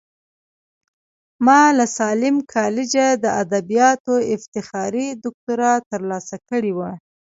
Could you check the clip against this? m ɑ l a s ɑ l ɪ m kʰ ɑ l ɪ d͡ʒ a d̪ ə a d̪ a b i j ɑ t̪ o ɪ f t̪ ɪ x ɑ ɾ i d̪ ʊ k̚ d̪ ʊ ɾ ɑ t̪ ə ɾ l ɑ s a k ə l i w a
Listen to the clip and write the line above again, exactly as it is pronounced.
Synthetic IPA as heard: m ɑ l a s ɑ l ɪ m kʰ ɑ l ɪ d͡ʒ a d̪ ə a d̪ a b i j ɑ t̪ o ɪ f t̪ ɪ x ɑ ɾ i d̪ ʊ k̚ t̪ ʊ ɾ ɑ t̪ ə ɾ l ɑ s a k ə ɽ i w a